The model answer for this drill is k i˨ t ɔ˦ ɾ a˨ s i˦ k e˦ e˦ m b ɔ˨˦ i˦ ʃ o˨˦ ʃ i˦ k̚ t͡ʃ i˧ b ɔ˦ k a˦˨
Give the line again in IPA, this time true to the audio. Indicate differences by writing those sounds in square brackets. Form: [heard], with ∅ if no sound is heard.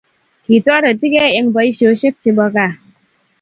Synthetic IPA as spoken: k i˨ t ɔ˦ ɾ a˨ [t] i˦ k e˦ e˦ [ŋ] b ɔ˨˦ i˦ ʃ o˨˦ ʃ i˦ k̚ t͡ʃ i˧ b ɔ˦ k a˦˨

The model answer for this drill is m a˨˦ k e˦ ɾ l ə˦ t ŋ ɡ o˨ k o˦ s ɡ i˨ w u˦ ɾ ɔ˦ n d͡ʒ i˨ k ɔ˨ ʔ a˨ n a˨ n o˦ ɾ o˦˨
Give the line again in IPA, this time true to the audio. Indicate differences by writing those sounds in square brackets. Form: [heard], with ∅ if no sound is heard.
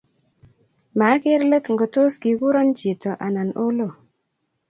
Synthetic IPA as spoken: m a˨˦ k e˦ ɾ l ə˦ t ŋ ɡ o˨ [t] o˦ s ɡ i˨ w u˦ ɾ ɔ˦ n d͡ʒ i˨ [t] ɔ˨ ʔ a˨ n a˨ n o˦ [l] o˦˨

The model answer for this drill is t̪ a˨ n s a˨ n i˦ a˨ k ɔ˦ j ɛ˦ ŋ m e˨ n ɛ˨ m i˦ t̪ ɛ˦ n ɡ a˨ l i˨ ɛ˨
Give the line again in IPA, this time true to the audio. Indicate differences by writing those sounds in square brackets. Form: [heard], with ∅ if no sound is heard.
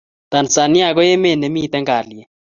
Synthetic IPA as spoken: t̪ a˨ n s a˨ n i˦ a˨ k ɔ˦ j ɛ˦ [∅] m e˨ n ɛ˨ m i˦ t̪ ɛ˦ [ŋ] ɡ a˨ l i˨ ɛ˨

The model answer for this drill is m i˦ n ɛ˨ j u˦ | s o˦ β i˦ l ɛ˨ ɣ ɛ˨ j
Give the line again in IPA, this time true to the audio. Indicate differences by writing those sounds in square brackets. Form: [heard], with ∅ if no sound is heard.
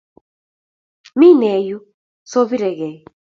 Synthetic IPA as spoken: m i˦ n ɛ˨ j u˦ | s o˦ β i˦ [ɾ] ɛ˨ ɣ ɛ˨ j

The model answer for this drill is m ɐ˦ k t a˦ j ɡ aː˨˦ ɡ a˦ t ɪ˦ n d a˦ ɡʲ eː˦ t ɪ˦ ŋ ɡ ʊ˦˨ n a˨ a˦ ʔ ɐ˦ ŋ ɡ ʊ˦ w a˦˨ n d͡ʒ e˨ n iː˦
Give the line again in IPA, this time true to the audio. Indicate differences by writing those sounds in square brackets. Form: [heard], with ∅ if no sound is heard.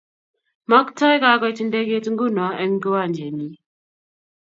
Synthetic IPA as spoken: m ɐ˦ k t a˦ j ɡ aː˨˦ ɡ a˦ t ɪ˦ n d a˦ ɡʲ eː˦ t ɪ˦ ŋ ɡ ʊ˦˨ n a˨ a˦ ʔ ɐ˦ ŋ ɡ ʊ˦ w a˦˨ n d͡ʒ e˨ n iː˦

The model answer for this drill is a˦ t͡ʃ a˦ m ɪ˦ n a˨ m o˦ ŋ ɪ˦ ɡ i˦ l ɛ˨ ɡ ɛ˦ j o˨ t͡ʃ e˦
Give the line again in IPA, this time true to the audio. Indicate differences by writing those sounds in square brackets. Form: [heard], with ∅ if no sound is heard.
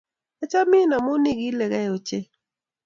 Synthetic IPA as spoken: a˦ t͡ʃ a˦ m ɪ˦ n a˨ m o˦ [n] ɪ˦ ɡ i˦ l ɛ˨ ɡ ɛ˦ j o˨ t͡ʃ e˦

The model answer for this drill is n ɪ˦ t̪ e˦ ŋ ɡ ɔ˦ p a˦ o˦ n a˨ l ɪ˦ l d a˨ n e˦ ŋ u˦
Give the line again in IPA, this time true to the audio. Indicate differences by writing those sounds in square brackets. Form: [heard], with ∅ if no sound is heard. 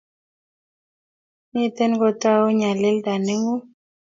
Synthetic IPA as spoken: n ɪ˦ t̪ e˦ [n] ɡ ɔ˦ [t] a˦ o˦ [ɲ] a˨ l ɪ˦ l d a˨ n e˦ ŋ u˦

